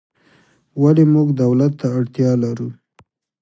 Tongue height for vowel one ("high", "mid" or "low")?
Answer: low